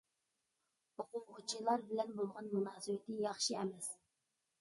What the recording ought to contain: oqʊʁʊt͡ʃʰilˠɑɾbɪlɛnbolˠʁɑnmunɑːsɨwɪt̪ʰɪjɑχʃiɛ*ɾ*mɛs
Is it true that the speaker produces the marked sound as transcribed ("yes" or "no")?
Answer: no